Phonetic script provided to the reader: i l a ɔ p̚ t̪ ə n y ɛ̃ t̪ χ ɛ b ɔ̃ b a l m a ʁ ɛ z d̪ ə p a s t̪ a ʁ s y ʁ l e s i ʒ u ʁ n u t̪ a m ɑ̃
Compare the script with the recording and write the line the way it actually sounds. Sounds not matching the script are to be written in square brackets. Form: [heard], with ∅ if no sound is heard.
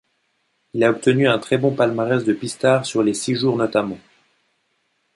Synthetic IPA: i l a ɔ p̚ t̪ ə n y ɛ̃ t̪ χ ɛ b ɔ̃ [p] a l m a ʁ ɛ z d̪ ə p [i] s t̪ a ʁ s y ʁ l e s i ʒ u ʁ n [ɔ] t̪ a m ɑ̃

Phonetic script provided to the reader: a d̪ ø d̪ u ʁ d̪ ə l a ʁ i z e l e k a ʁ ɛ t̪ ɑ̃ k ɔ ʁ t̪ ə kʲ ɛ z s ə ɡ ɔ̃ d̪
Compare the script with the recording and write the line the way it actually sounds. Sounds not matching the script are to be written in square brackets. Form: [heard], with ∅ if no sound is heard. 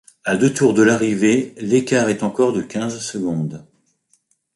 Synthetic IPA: a d̪ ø [t̪] u ʁ d̪ ə l a ʁ i [v] e l e k a ʁ ɛ t̪ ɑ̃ k ɔ ʁ [d̪] ə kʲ [ɛ̃] z s ə ɡ ɔ̃ d̪

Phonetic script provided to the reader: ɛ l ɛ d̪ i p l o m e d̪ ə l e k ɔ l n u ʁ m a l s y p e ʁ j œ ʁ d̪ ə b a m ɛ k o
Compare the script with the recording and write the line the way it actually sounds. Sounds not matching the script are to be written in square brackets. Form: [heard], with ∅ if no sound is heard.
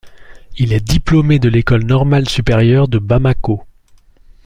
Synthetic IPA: [i] l ɛ d̪ i p l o m e d̪ ə l e k ɔ l n [ɔ] ʁ m a l s y p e ʁ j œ ʁ d̪ ə b a m [a] k o

